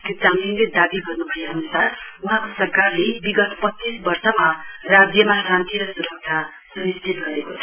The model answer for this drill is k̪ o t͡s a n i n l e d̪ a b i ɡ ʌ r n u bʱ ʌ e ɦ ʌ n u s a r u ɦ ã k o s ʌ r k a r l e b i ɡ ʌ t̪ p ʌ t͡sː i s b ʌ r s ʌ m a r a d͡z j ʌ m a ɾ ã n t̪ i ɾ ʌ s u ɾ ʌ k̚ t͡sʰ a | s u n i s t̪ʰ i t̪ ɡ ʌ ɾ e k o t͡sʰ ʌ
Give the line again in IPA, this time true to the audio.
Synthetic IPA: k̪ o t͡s a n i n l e d̪ a b i ɡ ʌ r n u bʱ ʌ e ɦ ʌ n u s a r u ɦ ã k o s ʌ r k a r l e b i ɡ ʌ t̪ p ʌ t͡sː i s b ʌ r s ʌ m a r a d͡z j ʌ m a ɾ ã n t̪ i ɾ ʌ s u ɾ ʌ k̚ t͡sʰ a | s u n i s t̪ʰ i t̪ ɡ ʌ ɾ e k o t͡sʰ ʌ